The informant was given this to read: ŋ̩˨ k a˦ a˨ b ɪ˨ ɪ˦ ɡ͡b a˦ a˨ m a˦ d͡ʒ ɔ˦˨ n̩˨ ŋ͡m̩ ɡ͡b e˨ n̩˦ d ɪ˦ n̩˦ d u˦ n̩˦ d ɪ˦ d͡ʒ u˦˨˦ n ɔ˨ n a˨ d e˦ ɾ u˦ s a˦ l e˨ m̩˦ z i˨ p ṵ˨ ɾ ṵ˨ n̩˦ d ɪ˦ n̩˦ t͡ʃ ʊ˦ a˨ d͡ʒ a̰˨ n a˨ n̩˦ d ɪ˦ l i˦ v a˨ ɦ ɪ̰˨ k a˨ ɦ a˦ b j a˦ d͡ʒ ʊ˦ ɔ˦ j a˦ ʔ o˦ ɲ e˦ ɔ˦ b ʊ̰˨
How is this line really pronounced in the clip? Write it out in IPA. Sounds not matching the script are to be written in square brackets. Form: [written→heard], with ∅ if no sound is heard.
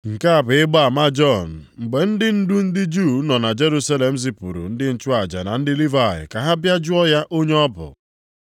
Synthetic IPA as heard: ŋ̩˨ k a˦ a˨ b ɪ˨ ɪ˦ ɡ͡b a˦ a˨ m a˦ d͡ʒ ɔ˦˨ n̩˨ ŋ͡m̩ ɡ͡b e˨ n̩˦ d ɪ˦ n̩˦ d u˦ n̩˦ d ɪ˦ d͡ʒ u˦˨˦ n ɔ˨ n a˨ [d→d͡ʒ] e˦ ɾ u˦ s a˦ l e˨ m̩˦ z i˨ p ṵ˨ ɾ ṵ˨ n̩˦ d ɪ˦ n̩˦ t͡ʃ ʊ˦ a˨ d͡ʒ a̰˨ n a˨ n̩˦ d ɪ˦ l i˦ v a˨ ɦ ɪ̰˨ k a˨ ɦ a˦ b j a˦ d͡ʒ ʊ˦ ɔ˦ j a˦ ʔ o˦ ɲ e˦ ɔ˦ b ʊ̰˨